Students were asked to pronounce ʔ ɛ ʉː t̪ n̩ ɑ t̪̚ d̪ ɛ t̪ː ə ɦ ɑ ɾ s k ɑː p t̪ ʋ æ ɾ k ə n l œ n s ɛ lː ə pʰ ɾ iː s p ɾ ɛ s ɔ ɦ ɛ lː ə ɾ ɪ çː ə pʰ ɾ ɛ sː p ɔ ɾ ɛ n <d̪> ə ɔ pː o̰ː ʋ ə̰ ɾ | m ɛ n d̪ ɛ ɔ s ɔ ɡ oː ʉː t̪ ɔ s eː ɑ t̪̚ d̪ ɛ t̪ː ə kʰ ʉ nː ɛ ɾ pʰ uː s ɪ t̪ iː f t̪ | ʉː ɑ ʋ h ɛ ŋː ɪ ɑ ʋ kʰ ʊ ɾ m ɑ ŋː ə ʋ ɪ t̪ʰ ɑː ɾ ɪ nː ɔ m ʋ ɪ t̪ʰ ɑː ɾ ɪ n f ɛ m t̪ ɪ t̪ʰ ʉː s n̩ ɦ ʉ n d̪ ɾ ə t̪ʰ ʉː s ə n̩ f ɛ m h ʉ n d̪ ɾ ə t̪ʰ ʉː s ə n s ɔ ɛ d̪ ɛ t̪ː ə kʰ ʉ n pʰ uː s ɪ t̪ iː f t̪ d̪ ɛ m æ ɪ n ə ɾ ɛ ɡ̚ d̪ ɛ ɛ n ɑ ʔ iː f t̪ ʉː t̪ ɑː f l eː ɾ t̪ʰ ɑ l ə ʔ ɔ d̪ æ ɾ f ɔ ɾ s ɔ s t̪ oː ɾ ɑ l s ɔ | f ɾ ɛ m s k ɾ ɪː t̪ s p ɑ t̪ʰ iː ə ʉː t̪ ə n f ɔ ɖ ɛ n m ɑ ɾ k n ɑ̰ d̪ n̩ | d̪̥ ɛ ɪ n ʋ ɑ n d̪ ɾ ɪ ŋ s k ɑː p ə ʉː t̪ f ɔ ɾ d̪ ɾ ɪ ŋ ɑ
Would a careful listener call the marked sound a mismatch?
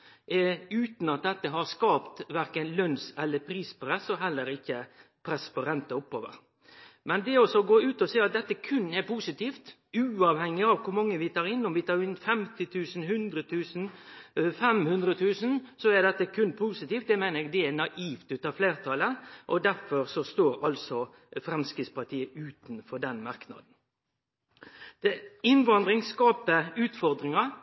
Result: yes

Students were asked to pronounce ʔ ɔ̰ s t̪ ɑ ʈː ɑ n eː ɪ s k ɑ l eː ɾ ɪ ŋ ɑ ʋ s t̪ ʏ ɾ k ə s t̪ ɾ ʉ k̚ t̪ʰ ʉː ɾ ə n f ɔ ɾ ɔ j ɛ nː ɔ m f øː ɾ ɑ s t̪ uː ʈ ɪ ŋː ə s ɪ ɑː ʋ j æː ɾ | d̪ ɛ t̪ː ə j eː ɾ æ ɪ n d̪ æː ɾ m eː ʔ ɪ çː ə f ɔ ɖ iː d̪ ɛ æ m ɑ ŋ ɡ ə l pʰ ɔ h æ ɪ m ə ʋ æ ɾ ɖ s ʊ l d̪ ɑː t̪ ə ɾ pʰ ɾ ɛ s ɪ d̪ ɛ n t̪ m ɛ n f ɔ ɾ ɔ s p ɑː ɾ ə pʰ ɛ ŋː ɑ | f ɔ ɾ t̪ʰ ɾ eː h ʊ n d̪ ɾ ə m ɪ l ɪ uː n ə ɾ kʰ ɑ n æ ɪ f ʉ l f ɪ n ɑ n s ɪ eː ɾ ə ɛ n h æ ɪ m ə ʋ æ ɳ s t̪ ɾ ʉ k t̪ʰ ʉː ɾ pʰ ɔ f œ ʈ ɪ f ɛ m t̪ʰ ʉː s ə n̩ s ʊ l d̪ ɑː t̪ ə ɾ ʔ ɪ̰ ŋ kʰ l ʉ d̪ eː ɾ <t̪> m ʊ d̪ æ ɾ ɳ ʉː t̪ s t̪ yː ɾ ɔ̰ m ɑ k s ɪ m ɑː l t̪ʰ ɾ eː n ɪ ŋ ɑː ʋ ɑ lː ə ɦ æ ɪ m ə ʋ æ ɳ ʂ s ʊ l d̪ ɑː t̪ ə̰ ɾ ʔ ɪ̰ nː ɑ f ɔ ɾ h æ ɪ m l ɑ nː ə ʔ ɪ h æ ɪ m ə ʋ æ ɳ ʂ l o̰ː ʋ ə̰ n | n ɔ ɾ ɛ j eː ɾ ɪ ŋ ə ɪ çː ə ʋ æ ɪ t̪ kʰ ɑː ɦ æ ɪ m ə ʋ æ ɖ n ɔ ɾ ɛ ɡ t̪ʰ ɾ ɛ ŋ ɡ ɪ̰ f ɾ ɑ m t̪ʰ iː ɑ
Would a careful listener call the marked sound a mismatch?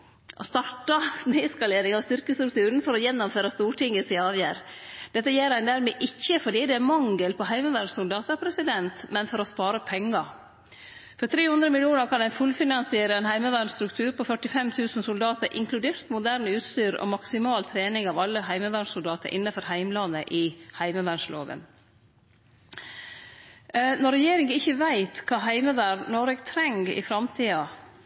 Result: no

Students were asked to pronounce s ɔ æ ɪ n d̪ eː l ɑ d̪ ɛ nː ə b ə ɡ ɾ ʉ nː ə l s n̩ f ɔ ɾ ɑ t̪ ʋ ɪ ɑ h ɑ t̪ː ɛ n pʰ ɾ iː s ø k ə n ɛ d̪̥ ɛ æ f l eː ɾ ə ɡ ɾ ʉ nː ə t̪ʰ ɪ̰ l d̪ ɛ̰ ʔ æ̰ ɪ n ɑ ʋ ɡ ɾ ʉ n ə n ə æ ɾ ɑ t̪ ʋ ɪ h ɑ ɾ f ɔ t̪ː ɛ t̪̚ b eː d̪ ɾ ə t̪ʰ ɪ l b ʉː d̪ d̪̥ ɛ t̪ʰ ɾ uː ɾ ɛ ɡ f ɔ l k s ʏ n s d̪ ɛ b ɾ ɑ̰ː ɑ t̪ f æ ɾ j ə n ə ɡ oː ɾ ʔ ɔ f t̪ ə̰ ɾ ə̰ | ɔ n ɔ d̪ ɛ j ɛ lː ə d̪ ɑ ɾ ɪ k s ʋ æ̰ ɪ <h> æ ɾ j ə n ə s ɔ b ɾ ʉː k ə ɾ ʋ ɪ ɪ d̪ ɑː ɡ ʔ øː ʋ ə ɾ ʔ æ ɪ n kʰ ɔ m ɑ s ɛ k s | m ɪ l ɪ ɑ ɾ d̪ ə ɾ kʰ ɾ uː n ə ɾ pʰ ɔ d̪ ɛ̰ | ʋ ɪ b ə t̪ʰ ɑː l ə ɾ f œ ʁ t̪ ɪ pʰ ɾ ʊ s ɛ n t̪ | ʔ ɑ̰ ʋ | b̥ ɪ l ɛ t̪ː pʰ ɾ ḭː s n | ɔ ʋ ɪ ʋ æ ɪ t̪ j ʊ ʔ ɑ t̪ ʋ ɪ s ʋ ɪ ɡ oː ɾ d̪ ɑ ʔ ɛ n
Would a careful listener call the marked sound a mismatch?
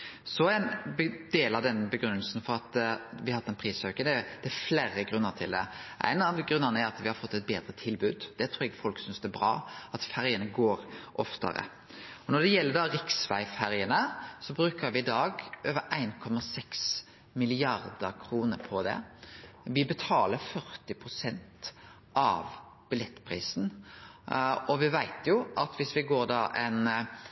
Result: yes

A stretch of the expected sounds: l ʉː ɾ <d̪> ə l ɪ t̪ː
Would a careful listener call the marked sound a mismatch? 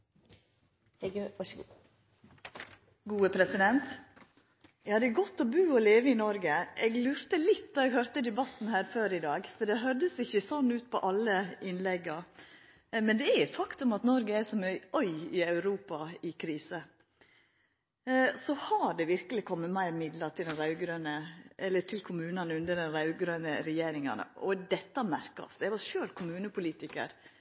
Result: yes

